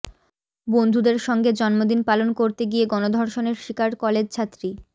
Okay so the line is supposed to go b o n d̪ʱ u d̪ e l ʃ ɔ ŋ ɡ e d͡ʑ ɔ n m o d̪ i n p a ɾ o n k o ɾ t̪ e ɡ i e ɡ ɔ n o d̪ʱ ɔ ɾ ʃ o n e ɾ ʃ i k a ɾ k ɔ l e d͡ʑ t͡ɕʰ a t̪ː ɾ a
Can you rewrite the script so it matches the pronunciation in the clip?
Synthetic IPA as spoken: b o n d̪ʱ u d̪ e ɾ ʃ ɔ ŋ ɡ e d͡ʑ ɔ n m o d̪ i n p a l o n k o ɾ t̪ e ɡ i e ɡ ɔ n o d̪ʱ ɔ ɾ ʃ o n e ɾ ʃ i k a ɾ k ɔ l e d͡ʑ t͡ɕʰ a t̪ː ɾ i